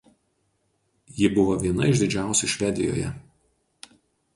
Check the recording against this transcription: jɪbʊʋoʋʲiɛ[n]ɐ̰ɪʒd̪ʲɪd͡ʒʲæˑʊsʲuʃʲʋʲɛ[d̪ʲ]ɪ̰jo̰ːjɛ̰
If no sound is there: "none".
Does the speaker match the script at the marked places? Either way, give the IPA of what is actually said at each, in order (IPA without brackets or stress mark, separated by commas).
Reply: n, d̪ʲ